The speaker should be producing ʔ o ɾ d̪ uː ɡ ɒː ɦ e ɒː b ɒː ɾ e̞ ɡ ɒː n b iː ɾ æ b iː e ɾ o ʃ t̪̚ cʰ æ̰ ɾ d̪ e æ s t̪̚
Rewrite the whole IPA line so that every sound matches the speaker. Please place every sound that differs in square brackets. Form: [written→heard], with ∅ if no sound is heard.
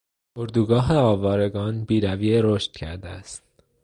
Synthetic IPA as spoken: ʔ o ɾ d̪ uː ɡ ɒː ɦ e ɒː [b→v] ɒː ɾ e̞ ɡ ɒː n b iː ɾ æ [b→v] iː e ɾ o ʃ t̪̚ cʰ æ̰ ɾ d̪ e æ s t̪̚